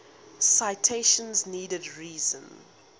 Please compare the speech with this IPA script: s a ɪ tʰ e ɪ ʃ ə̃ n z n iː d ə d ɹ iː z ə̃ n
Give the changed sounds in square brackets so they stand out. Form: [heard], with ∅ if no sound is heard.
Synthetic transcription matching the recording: s a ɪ tʰ e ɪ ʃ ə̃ n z n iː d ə d ɹ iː z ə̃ n